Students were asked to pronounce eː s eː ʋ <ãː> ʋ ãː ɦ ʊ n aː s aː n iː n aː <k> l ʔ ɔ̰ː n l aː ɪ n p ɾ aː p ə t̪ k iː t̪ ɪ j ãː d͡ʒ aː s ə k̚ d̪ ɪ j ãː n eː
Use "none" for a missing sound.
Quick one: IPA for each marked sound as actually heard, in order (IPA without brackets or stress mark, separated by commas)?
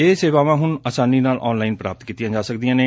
aː, none